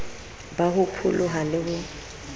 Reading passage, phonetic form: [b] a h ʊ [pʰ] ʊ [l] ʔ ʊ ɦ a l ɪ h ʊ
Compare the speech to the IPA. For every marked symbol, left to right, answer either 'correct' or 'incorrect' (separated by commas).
correct, correct, correct